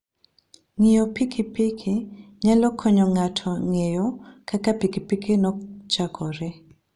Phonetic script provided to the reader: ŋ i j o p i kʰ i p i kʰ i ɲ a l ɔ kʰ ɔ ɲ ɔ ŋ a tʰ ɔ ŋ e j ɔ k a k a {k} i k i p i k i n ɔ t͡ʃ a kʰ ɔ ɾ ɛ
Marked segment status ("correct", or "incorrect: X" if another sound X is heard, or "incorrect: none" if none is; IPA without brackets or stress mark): incorrect: p